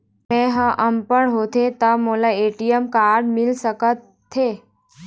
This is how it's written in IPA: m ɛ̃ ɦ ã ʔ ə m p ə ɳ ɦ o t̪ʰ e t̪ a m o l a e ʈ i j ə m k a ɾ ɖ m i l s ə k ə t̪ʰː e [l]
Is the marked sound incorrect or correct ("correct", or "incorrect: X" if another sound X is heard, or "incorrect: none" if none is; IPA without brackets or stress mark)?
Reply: incorrect: none